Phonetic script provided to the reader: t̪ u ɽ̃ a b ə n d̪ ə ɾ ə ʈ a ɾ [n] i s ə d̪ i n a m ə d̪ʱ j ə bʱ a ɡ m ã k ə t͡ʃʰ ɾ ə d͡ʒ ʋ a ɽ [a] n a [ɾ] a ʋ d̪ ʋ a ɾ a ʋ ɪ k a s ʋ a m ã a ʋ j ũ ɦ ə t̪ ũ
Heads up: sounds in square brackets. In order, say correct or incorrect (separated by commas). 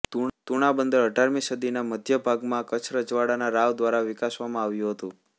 incorrect, correct, correct